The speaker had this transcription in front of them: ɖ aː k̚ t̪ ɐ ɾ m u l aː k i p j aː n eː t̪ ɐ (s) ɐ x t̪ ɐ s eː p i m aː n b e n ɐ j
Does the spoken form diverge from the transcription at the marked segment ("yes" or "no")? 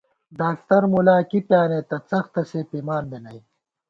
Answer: yes